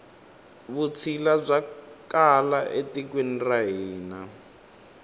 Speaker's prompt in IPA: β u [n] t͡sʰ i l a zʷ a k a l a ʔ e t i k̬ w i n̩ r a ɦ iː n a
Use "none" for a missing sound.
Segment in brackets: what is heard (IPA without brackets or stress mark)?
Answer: none